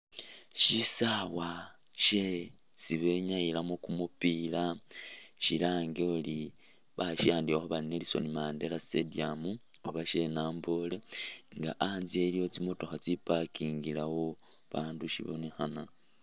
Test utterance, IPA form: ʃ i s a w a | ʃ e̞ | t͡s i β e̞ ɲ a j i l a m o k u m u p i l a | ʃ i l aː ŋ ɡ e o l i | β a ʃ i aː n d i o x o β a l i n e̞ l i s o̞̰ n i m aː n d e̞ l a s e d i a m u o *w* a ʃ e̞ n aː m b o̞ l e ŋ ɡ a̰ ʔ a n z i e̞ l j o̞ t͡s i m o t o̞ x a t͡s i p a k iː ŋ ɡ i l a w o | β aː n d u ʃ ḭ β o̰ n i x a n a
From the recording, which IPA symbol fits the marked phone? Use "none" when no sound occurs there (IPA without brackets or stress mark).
β